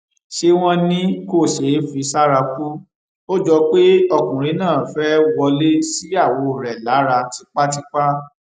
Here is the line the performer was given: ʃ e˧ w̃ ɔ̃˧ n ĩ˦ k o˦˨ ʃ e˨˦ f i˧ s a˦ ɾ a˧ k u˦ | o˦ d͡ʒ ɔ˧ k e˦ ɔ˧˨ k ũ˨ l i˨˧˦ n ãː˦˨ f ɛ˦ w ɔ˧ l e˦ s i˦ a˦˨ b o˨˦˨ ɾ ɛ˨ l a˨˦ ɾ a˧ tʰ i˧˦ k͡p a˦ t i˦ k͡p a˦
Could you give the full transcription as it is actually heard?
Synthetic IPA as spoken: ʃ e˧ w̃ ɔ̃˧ n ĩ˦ k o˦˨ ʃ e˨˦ f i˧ s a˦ ɾ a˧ k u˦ | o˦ d͡ʒ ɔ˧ k͡p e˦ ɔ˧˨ k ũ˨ ɾ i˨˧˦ n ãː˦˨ f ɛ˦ w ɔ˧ l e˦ s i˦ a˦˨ w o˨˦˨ ɾ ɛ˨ l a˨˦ ɾ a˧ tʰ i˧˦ k͡p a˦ t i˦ k͡p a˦